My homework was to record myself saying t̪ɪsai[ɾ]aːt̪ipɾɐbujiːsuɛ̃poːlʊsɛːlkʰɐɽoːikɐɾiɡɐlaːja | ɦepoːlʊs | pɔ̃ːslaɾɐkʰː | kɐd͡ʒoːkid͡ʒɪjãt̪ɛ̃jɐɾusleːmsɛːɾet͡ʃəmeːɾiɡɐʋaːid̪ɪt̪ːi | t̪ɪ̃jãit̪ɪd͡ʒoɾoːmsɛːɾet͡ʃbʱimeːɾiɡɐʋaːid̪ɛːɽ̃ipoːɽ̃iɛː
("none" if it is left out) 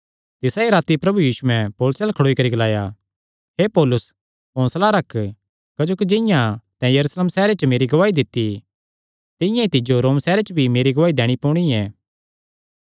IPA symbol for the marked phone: ɾ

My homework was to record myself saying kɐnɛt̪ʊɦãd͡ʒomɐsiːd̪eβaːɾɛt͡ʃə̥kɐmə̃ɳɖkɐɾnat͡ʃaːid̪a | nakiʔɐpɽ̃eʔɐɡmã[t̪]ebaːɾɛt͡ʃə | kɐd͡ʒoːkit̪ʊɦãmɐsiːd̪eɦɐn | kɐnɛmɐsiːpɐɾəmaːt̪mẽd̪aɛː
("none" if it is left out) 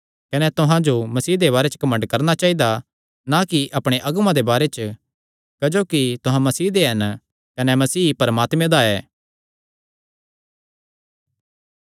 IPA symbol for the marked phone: d̪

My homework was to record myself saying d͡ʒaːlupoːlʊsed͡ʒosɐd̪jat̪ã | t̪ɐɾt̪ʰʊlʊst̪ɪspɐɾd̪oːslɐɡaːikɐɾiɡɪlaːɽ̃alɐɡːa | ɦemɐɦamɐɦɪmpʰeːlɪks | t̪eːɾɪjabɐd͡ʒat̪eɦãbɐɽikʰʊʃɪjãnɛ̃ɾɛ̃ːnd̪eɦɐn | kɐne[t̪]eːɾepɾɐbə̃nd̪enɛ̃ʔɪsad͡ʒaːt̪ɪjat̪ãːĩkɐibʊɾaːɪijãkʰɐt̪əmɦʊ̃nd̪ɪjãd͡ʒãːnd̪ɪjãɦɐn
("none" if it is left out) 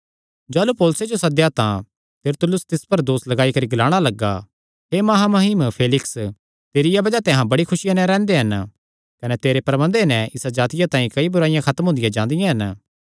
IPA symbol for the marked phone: t̪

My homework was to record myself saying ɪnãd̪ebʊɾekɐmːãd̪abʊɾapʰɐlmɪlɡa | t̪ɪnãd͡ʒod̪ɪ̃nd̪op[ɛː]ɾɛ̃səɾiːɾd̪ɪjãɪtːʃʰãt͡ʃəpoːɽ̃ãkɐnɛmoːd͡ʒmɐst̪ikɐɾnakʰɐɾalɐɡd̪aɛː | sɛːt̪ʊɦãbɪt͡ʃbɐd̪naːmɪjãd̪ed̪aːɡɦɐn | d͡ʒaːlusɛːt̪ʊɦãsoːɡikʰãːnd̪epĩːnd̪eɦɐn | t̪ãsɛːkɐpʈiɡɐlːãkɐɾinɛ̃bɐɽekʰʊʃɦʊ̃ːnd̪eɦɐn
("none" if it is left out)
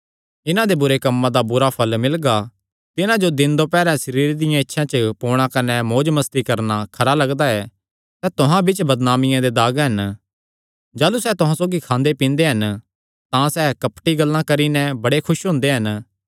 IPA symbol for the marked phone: ɛː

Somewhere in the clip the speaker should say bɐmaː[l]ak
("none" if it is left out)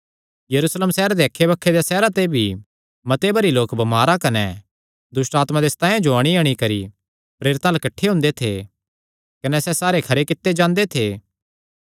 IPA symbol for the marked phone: ɾ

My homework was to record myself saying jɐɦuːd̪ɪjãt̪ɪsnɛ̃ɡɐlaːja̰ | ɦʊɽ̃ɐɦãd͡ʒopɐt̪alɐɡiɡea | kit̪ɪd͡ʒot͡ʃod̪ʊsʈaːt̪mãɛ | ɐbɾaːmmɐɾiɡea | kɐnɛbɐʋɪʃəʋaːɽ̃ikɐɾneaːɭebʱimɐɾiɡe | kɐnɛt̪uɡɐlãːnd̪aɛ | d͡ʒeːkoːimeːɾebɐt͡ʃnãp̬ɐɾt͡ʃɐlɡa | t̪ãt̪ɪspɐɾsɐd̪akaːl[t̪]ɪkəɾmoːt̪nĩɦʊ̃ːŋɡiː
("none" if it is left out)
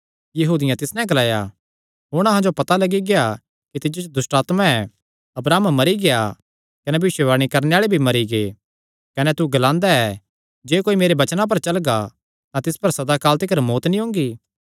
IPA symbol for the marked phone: t̪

